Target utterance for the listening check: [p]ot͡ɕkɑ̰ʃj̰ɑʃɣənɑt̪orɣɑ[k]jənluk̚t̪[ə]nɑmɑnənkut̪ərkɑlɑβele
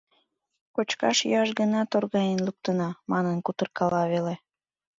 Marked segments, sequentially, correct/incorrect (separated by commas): incorrect, incorrect, correct